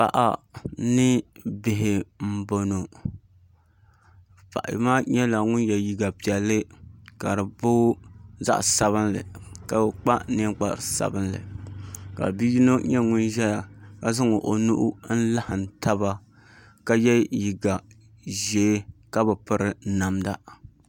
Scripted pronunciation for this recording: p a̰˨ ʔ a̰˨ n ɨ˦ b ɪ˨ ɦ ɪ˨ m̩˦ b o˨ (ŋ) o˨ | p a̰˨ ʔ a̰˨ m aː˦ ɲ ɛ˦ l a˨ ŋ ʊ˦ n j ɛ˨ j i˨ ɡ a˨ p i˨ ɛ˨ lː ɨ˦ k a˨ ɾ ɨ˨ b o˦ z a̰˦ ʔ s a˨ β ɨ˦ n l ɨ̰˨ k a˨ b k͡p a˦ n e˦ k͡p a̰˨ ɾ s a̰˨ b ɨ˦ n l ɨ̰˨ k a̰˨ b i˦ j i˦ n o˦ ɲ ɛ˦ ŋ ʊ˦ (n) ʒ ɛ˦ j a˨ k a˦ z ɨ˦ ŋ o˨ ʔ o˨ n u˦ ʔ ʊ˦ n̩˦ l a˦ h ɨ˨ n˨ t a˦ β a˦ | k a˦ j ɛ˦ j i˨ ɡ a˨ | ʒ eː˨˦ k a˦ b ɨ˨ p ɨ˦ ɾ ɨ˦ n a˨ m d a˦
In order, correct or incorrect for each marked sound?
incorrect: n, correct

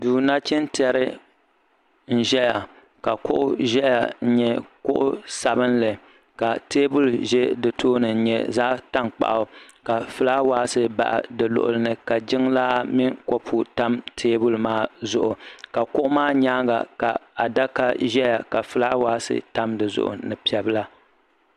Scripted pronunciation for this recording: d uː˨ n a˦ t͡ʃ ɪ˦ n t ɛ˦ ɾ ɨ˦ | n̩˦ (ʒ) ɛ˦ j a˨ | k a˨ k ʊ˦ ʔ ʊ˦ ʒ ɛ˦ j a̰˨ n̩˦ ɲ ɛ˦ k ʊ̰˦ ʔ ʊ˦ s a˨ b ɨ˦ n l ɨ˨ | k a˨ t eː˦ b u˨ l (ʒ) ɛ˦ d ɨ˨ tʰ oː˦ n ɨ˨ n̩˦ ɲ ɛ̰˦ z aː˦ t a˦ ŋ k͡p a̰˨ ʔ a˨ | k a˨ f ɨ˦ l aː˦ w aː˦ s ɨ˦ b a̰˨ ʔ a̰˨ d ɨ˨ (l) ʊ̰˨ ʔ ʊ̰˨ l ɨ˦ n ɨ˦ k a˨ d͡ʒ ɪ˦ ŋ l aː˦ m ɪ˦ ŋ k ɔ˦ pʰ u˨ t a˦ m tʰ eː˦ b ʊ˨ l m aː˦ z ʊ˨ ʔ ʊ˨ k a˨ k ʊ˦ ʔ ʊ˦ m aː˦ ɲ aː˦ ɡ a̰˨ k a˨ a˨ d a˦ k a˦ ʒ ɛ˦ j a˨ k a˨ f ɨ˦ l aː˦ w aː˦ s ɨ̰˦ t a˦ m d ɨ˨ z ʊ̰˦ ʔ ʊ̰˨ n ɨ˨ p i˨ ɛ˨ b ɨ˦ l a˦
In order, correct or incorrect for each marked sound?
correct, correct, correct

